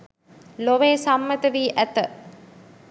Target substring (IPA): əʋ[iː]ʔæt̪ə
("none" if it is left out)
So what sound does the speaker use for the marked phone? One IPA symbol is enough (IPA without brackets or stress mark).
iː